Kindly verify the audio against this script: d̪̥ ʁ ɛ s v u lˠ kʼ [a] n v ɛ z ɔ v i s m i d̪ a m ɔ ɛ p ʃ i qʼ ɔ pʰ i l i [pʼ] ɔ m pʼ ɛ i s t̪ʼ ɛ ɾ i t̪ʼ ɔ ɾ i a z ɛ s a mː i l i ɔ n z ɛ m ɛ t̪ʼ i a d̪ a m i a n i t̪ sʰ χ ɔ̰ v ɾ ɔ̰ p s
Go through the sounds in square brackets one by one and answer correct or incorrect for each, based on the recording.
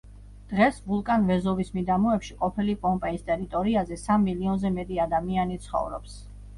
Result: correct, correct

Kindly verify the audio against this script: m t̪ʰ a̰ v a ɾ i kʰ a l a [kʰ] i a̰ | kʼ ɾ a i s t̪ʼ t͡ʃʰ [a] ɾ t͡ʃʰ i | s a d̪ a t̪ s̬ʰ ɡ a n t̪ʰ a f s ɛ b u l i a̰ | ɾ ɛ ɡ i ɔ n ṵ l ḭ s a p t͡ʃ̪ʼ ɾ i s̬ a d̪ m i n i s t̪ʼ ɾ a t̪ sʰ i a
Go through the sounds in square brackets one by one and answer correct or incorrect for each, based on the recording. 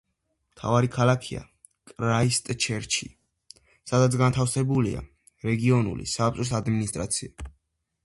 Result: correct, incorrect: ɛ

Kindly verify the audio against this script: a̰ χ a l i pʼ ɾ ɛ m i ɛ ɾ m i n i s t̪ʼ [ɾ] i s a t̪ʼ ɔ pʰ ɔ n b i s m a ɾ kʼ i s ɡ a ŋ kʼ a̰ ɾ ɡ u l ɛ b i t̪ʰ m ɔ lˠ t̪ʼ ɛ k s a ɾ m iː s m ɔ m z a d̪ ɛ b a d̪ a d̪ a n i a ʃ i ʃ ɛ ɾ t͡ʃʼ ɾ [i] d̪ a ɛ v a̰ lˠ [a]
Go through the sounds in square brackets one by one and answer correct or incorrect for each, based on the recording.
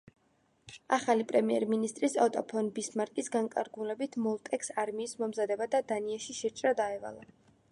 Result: correct, incorrect: a, correct

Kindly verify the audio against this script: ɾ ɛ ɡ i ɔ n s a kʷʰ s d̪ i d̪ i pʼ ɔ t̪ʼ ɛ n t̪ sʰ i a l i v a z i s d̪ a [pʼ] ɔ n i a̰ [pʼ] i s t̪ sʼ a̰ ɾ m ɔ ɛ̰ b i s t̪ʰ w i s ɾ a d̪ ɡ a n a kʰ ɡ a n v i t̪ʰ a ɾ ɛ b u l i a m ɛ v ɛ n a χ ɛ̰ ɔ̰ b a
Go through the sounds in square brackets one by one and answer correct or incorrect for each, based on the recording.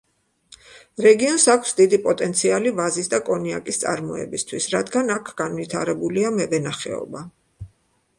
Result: incorrect: kʼ, incorrect: kʼ

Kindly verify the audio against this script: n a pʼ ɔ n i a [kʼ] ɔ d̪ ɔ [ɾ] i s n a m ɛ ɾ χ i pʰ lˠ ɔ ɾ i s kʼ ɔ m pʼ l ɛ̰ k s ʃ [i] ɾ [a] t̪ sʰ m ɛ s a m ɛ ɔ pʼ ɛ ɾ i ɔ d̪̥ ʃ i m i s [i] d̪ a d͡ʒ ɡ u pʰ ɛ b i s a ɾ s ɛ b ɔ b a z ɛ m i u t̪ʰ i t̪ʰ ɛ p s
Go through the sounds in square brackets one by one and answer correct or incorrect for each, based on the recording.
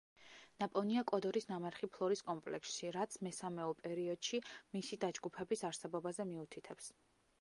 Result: correct, correct, correct, correct, correct

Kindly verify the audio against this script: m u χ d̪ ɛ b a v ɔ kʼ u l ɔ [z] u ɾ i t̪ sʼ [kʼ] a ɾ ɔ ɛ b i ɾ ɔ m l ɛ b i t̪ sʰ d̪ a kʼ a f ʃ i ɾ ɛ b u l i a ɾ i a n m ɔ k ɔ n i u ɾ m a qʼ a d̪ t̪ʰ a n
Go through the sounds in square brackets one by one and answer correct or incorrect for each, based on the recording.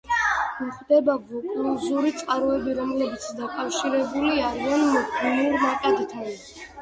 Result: correct, incorrect: qʼ

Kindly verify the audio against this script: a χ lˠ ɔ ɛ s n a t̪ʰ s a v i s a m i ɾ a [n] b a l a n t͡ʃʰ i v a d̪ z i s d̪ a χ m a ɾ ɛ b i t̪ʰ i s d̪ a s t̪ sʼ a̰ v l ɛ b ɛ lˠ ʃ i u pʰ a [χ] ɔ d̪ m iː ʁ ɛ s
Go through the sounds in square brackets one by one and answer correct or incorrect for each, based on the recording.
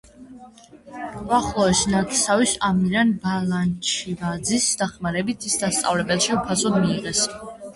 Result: correct, incorrect: s

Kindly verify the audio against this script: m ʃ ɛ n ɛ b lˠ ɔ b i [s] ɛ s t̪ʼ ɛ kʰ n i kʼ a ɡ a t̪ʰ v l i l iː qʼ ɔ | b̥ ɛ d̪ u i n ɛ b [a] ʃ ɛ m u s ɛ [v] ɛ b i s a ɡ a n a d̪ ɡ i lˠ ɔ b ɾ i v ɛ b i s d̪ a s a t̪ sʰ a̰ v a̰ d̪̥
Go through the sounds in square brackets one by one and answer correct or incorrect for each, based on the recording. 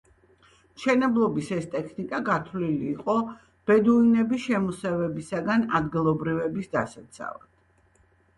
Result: correct, incorrect: i, correct

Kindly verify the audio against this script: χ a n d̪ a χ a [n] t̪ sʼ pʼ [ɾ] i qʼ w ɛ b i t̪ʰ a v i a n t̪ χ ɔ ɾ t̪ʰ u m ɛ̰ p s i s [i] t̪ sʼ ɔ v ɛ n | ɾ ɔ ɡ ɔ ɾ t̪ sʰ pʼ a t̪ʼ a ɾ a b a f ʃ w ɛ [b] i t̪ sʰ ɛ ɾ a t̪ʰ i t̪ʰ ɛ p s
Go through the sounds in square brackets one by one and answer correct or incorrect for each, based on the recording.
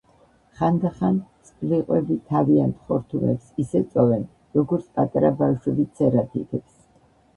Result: correct, incorrect: l, incorrect: ɛ, correct

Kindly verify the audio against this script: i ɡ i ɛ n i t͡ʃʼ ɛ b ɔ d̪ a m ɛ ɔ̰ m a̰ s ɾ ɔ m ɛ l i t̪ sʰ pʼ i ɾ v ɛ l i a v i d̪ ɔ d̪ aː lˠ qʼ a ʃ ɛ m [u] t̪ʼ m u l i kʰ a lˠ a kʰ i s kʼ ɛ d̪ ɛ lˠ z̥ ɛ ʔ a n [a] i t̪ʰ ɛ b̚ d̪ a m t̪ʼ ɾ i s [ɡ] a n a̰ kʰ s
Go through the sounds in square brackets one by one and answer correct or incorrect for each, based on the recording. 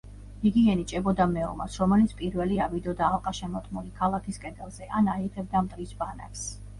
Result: incorrect: ɔ, correct, incorrect: b

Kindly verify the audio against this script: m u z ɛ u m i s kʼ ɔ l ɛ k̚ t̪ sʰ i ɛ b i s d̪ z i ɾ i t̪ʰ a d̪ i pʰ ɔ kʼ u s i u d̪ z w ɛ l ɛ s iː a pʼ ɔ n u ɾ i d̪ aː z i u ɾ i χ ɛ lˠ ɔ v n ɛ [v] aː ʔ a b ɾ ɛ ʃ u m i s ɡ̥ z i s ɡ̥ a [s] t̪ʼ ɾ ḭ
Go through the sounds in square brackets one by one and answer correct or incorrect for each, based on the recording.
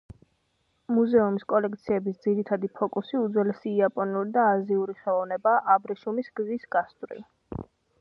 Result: incorrect: b, correct

